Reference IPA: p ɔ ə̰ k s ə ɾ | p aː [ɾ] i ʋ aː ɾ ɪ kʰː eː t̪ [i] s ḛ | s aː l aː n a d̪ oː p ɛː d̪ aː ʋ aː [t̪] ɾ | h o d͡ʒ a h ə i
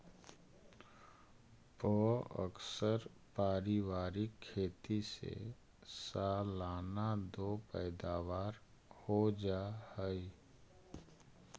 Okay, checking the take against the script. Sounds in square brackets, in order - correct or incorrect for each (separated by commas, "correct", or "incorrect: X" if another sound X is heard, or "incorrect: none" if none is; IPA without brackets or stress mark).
correct, correct, incorrect: none